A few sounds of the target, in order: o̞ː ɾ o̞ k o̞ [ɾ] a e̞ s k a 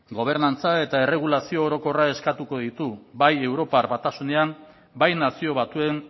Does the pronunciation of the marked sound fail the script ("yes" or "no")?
yes